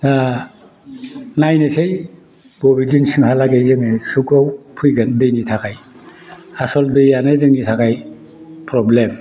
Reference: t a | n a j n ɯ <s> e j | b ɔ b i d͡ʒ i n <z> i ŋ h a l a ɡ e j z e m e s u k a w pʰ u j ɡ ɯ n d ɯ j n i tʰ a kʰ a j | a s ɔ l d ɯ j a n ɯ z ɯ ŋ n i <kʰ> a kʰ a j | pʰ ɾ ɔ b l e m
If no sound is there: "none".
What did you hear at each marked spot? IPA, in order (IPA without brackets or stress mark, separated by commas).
s, s, tʰ